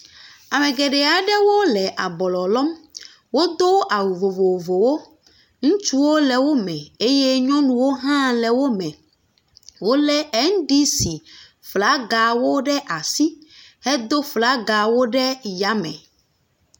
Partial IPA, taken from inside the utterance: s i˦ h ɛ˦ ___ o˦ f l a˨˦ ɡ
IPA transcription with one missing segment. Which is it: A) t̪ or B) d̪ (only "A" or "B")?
B